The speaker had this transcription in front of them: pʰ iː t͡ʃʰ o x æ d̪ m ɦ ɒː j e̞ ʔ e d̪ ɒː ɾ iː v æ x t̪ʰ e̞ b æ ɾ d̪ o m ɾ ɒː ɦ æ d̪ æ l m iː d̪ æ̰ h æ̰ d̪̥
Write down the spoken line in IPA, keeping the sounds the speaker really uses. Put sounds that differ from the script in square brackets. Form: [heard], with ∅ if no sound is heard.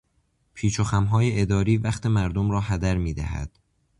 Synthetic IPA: pʰ iː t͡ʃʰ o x æ [∅] m ɦ ɒː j e̞ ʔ e d̪ ɒː ɾ iː v æ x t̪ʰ e̞ [m] æ ɾ d̪ o m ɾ ɒː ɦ æ d̪ æ [ɾ] m iː d̪ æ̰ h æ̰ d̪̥